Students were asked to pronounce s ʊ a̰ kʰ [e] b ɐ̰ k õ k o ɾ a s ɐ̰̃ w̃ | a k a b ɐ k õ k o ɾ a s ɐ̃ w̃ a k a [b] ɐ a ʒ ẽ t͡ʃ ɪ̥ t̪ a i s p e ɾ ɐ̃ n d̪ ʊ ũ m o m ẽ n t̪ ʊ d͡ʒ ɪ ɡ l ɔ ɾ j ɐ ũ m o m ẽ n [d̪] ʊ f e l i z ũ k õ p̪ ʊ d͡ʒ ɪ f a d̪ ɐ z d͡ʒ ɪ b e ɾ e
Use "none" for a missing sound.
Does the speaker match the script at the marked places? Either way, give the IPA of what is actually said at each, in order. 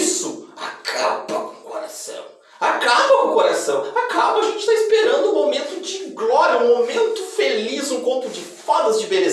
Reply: a, b, t̪

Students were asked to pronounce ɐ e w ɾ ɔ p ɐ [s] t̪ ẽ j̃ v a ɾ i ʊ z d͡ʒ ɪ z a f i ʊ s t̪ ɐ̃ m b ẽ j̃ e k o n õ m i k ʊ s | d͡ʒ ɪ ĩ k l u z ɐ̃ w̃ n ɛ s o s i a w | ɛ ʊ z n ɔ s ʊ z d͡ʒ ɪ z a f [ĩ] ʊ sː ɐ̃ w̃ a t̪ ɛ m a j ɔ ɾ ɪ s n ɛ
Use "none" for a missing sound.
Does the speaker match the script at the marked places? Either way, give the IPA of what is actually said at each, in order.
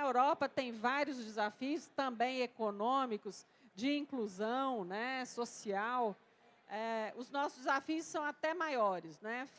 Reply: none, i

